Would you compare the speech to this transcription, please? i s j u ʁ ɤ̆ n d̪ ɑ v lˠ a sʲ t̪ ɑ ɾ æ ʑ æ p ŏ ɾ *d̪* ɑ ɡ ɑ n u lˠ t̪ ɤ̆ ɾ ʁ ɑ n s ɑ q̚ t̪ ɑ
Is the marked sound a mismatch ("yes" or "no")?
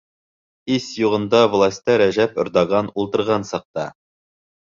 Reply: no